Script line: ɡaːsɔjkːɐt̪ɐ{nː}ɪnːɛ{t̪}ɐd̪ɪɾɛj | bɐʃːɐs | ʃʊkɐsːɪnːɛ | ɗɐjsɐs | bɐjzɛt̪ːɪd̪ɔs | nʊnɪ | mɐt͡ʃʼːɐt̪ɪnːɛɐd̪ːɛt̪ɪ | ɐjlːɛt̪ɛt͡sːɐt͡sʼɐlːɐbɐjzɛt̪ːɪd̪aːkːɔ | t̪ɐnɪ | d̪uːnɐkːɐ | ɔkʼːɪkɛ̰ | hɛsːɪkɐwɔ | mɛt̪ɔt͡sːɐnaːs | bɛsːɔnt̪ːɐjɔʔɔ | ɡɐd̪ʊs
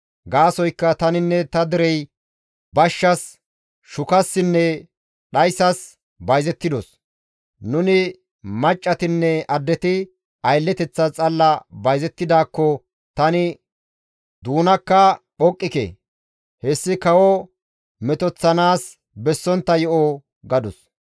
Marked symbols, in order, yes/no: no, yes

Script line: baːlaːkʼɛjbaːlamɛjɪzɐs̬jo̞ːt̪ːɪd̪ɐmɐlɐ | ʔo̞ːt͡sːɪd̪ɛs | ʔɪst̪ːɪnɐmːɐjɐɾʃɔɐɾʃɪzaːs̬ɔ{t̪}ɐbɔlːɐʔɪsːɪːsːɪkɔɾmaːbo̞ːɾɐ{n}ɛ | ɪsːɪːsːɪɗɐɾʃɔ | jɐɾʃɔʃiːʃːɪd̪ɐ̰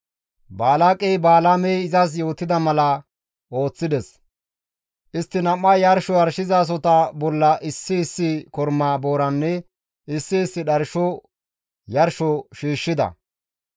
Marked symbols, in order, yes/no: yes, no

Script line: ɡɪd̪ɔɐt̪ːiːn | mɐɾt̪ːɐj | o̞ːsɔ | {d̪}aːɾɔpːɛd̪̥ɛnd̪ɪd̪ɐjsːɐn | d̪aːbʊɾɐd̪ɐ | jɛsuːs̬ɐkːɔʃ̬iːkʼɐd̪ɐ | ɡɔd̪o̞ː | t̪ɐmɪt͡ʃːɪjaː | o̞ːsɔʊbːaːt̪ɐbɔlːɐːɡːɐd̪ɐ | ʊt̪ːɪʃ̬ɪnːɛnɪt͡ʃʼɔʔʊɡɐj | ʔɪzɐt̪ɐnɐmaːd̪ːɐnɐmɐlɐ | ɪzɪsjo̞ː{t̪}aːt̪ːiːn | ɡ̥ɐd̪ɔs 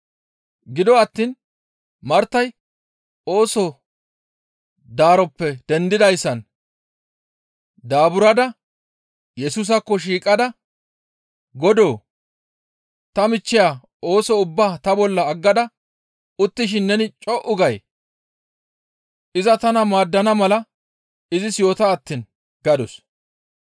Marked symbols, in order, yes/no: yes, yes

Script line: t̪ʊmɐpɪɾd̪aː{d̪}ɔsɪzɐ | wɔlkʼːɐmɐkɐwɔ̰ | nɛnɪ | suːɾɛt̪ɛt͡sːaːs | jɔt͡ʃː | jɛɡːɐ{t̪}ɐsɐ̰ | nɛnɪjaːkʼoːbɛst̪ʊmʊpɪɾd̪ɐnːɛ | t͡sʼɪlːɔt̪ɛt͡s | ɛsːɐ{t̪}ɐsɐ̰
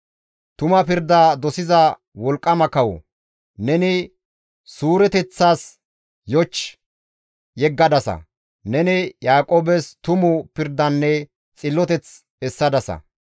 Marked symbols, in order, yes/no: yes, no, no

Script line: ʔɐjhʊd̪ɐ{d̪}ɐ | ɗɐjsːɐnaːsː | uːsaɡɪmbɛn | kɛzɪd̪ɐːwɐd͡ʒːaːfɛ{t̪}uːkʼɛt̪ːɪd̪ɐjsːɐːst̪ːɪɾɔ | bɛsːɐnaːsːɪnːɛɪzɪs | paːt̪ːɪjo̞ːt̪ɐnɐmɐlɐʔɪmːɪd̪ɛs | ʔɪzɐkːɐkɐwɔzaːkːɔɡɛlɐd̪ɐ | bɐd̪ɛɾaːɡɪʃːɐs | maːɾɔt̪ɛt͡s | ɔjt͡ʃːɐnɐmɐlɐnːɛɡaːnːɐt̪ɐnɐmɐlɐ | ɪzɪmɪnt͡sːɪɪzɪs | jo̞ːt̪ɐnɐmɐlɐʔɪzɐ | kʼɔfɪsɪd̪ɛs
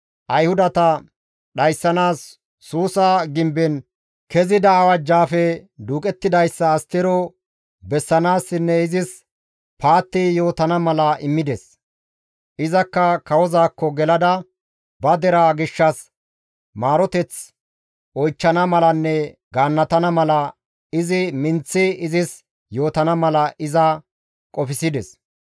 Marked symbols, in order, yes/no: no, no

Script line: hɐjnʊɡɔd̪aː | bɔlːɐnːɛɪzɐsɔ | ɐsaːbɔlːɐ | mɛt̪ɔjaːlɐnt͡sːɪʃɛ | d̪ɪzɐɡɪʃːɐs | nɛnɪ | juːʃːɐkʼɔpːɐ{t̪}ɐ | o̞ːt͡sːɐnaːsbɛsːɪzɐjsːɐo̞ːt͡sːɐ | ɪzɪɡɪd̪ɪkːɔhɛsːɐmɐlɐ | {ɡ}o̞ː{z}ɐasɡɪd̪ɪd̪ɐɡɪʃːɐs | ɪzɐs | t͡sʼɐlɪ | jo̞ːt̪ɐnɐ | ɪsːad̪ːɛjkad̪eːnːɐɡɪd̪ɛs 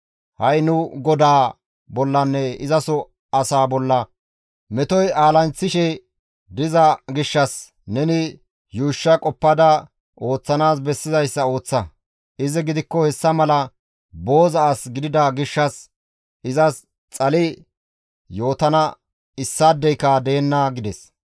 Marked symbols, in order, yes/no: no, no, yes

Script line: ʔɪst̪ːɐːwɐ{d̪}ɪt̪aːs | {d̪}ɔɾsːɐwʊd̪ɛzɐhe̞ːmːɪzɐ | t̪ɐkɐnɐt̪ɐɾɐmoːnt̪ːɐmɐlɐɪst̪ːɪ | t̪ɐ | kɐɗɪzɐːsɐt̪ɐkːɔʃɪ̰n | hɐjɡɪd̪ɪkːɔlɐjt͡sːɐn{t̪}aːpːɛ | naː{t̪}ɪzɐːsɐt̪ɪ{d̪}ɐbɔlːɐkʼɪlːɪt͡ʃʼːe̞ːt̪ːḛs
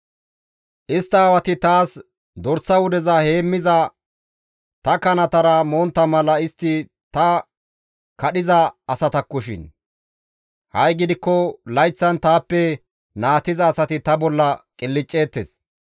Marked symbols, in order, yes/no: no, yes, yes, yes, no

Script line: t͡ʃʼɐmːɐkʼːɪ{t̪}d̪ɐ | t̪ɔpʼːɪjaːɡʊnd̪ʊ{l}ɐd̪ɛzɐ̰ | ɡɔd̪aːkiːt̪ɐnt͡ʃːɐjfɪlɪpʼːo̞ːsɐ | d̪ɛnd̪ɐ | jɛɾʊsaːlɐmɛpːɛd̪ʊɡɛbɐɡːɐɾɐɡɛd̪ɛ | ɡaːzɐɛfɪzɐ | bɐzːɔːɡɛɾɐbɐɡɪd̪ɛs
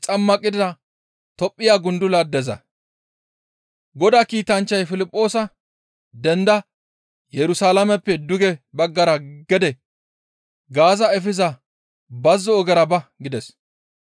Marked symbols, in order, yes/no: no, yes

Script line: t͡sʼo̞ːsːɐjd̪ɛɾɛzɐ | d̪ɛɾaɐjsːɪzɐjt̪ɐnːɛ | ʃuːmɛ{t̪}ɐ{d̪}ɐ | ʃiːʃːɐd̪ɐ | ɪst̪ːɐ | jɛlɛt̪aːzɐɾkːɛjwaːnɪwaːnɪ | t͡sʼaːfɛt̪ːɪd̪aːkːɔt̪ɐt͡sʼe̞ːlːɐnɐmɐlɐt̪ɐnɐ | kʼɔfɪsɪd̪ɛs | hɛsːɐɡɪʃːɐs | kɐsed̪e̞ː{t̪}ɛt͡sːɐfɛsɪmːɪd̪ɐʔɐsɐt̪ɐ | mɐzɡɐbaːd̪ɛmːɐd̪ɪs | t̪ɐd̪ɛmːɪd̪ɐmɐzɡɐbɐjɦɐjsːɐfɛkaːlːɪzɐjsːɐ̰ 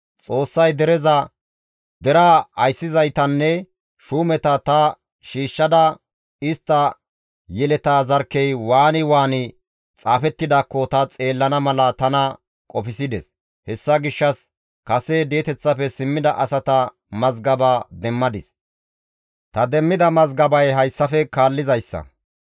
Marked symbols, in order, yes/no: yes, no, yes

